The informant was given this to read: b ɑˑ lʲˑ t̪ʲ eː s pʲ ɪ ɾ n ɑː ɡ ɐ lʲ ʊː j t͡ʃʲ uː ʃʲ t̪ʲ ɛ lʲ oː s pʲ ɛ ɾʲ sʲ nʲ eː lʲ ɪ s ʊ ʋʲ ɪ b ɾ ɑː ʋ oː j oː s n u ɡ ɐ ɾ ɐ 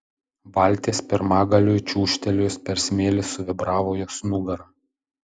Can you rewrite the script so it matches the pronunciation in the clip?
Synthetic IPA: b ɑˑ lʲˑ t̪ʲ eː s pʲ ɪ ɾ m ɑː ɡ ɐ lʲ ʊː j t͡ʃʲ uː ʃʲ t̪ʲ ɛ lʲ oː s pʲ ɛ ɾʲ sʲ mʲ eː lʲ ɪ s ʊ ʋʲ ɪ b ɾ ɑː ʋ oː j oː s n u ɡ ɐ ɾ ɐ